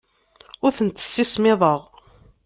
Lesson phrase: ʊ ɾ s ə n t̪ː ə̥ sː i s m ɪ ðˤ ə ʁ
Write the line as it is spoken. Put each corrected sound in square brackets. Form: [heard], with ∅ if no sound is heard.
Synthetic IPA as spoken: ʊ ɾ [θ] ə n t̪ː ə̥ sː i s m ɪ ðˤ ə ʁ